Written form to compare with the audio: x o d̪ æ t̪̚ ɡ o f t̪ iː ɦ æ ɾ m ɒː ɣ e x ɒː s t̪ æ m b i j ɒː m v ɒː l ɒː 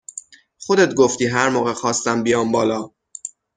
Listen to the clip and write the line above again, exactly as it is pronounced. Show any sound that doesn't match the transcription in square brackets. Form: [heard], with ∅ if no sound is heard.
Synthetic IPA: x o d̪ [e] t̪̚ ɡ o f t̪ iː ɦ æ ɾ m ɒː ɣ e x ɒː s t̪ æ m b i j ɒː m [b] ɒː l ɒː